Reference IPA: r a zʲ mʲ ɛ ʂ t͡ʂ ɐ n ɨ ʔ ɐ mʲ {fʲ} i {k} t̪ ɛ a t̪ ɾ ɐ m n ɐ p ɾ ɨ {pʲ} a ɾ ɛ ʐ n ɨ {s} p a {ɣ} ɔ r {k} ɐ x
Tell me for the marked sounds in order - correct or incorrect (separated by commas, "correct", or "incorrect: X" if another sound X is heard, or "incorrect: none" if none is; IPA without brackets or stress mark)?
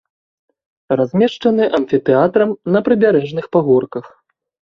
correct, incorrect: none, incorrect: bʲ, incorrect: x, correct, correct